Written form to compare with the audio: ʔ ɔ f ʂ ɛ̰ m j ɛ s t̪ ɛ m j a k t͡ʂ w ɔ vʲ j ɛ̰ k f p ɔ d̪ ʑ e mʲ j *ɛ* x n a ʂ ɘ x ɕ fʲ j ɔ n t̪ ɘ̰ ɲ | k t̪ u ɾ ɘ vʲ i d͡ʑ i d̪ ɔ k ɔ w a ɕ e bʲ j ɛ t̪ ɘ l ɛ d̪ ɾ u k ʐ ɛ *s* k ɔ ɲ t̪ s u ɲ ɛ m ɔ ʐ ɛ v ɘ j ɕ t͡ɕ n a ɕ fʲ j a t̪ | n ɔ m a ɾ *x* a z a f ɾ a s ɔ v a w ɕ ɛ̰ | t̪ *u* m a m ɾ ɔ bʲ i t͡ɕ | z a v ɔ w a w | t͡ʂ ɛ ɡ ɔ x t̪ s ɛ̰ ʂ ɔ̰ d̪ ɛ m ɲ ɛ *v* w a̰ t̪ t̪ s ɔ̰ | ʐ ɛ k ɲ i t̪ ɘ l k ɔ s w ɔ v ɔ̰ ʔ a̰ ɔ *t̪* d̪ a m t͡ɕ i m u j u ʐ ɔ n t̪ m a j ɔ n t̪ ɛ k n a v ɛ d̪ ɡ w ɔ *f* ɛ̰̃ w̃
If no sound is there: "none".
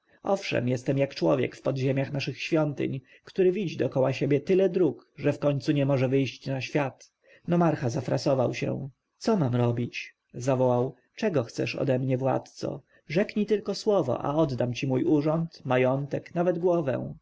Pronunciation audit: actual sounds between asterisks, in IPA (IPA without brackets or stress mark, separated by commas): a, f, x, ɔ, v, d̪, v